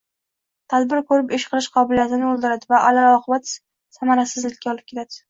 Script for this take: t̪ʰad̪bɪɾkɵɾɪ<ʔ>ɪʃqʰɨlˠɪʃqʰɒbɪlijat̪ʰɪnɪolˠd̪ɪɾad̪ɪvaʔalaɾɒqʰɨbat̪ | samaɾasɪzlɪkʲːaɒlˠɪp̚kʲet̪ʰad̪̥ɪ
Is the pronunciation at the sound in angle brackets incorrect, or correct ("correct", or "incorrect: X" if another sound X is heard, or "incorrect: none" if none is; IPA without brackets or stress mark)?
incorrect: p